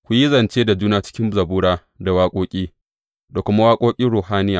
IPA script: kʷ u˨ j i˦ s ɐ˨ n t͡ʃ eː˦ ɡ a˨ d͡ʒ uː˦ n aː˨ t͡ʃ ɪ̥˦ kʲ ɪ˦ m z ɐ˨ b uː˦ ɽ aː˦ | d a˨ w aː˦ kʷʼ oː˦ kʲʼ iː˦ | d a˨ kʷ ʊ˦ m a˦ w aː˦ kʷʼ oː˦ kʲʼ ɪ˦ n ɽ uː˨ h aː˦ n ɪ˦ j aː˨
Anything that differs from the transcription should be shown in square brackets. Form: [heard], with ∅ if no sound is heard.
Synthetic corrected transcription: kʷ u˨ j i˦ [z] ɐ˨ n t͡ʃ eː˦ [d] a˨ d͡ʒ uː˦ n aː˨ t͡ʃ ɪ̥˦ kʲ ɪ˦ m z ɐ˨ b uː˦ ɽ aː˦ | d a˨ w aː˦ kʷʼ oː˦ kʲʼ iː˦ | d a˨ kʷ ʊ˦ m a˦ w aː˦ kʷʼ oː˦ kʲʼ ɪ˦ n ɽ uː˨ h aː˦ n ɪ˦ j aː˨